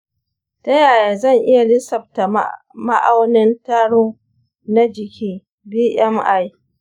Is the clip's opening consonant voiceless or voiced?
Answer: voiceless